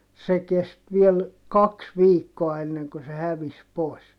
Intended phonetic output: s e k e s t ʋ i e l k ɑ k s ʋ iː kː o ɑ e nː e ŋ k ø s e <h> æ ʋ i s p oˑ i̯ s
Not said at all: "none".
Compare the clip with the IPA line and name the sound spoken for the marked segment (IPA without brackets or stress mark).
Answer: h